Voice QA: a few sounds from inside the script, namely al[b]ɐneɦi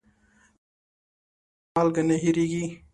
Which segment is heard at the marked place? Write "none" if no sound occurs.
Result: ɡ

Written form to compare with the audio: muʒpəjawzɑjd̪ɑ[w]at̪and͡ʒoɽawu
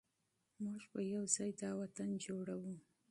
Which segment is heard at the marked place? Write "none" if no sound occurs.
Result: w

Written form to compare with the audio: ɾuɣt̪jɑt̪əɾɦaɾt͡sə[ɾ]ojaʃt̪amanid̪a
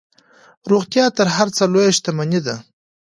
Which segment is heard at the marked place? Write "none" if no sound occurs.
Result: l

